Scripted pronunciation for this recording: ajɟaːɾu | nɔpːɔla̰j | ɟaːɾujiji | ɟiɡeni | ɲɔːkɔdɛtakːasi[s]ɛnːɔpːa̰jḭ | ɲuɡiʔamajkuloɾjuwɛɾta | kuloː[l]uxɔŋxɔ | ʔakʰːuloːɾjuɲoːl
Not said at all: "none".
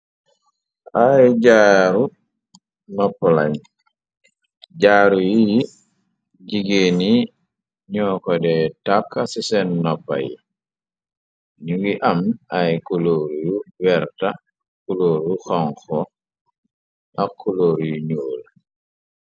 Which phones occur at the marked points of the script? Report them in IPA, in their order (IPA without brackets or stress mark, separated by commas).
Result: s, ɾ